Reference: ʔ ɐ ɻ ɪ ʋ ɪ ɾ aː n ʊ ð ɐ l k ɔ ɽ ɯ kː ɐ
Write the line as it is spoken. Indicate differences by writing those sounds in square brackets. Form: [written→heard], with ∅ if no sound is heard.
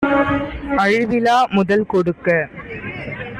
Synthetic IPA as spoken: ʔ ɐ ɻ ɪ ʋ ɪ [ɾ→l] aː [n→m] ʊ ð ɐ l k ɔ ɽ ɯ kː ɐ